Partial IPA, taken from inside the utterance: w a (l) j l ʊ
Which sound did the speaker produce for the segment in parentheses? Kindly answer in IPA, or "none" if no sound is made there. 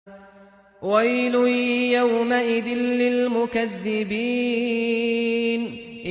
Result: none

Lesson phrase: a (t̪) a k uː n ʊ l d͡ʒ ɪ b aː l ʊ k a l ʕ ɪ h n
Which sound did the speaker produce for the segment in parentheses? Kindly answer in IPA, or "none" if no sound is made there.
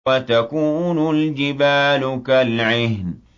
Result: t̪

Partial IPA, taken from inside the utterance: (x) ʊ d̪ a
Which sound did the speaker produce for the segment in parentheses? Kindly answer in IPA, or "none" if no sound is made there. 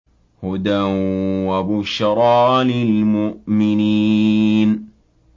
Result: h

